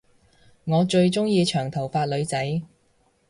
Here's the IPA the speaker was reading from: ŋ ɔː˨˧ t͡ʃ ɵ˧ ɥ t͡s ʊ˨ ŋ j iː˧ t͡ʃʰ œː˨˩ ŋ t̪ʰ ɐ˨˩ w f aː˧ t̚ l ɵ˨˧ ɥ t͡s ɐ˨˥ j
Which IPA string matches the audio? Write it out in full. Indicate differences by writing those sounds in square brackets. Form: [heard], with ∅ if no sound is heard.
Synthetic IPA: ŋ ɔː˨˧ t͡ʃ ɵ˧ ɥ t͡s [ʊ˥] ŋ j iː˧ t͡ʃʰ œː˨˩ ŋ t̪ʰ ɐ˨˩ w f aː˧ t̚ l ɵ˨˧ ɥ t͡s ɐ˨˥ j